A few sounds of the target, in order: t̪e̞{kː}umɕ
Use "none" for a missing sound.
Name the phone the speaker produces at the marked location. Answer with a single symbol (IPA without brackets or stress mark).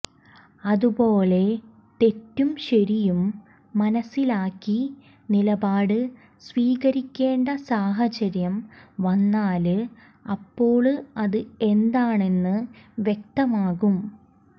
tː